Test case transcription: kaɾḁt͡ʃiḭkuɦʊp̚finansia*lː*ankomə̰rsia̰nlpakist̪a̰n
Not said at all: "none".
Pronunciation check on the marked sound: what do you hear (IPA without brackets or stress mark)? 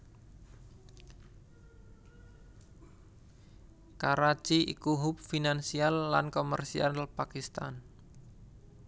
lː